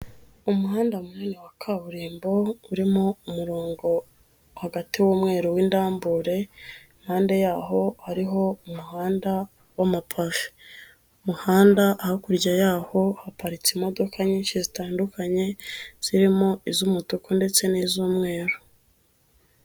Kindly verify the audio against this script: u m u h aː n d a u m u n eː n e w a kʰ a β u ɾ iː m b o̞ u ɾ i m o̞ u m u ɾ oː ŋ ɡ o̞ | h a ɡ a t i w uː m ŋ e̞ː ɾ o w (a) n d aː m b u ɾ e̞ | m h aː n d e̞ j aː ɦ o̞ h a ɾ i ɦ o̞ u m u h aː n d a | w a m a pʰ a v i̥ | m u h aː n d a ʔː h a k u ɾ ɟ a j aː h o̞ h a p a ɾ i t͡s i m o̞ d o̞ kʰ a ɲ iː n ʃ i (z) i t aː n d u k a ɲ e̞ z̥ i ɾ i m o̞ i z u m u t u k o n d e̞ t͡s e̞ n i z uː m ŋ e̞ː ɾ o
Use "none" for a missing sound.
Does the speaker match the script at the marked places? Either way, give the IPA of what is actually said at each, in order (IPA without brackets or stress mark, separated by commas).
i, z